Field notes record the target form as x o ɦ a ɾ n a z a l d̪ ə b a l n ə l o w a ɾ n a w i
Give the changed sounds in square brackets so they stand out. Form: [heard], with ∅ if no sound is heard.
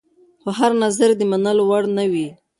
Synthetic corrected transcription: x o ɦ a ɾ n a z a [ɾ] d̪ ə [m] a [∅] n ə l o w a [ɽ] n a w i